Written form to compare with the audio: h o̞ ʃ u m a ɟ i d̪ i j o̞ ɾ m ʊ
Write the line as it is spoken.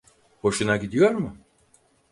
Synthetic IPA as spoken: h o̞ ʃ u n a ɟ i d̪ i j o̞ ɾ m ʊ